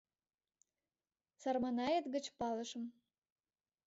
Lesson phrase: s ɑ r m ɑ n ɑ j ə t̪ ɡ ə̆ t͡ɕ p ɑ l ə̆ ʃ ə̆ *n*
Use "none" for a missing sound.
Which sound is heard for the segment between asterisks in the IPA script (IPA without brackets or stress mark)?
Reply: m